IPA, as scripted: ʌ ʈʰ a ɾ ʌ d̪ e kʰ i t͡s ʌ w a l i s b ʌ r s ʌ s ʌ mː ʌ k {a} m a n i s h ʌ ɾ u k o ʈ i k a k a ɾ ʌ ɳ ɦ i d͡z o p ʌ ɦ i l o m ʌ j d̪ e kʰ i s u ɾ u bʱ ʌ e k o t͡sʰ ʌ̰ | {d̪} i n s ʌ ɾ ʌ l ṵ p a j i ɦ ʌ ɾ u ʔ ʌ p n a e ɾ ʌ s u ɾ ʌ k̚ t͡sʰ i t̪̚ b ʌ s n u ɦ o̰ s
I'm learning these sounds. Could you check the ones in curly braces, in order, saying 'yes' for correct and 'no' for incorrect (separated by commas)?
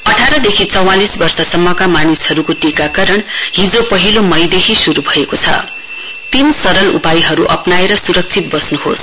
yes, no